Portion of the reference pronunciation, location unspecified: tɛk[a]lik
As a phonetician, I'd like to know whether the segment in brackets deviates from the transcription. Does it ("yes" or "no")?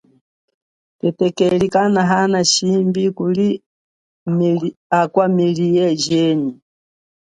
yes